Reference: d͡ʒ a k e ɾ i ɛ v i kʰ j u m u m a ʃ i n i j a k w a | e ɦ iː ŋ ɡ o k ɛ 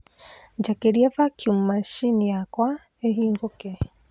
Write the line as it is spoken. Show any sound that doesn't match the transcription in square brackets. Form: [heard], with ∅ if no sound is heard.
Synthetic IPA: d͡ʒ a k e ɾ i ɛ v [a] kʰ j u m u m a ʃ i n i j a k w a | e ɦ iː ŋ ɡ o k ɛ

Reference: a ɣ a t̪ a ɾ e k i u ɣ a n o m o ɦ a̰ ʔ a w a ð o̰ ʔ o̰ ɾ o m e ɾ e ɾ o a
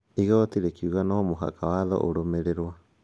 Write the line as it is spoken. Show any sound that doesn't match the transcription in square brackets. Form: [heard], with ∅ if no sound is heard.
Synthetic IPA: [i] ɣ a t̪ [i] ɾ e k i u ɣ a n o m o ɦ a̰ [k] a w a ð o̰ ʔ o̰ ɾ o m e ɾ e ɾ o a

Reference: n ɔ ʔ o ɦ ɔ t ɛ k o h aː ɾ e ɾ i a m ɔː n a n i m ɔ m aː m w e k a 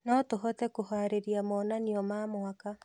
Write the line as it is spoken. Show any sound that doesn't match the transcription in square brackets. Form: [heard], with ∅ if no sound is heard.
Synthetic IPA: n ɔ [t] o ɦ ɔ t ɛ k o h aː ɾ e ɾ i a m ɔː n a n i [∅] ɔ m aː m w [a] k a

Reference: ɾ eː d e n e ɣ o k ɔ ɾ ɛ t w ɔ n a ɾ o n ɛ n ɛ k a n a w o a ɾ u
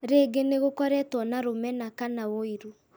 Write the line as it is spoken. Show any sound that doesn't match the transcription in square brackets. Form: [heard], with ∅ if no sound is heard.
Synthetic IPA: ɾ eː [ɡ] e n e ɣ o k ɔ ɾ ɛ t w ɔ n a ɾ o [m] ɛ n [a] k a n a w o [i] ɾ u

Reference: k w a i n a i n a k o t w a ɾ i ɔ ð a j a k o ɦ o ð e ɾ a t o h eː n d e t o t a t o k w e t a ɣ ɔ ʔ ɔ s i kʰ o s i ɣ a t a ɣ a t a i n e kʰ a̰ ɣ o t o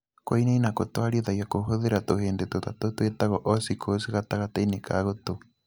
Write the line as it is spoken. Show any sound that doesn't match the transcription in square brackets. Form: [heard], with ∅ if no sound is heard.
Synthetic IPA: k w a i n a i n a k o t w a ɾ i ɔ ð a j a k o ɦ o ð e ɾ a t o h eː n d e t o t a t o [t] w e t a ɣ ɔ ʔ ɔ s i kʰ o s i ɣ a t a ɣ a t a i n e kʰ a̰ ɣ o t o

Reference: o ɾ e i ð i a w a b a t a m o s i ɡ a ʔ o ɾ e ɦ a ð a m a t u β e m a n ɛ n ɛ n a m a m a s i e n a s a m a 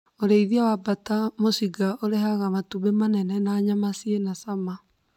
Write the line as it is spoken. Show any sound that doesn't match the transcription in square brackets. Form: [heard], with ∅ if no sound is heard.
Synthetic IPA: o ɾ e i ð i a w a b a t a m o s i ɡ a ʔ o ɾ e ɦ a [ɣ] a m a t u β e m a n ɛ n ɛ n a [ɲ] a m a s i e n a s a m a

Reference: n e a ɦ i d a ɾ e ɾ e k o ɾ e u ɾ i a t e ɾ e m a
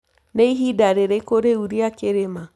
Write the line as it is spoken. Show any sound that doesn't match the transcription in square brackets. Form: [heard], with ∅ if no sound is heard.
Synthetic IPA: n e [i] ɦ i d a ɾ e ɾ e k o ɾ e u ɾ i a [k] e ɾ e m a

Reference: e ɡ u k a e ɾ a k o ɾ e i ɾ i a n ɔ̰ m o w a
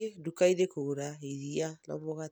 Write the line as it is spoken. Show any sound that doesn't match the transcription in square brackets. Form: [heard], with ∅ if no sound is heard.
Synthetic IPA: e [d] u k a [i] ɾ [e] k o ɾ [a] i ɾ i a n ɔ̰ m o [ɣ] a

